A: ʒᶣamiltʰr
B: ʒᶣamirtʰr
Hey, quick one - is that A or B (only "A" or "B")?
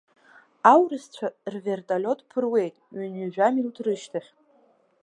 A